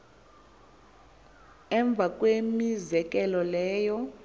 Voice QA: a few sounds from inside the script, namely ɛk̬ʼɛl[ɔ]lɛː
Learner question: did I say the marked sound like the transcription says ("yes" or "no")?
yes